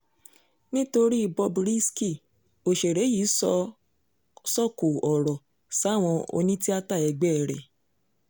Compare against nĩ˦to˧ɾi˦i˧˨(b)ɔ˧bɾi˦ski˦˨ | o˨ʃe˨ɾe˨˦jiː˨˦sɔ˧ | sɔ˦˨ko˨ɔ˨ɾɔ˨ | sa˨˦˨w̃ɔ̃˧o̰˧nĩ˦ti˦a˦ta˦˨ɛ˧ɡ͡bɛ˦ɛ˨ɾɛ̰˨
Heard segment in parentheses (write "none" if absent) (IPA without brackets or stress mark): b